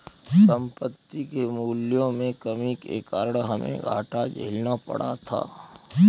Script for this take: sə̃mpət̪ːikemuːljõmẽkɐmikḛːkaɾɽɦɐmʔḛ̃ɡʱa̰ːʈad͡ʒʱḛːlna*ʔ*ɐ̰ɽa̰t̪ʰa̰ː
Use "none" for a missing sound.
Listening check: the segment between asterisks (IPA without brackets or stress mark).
p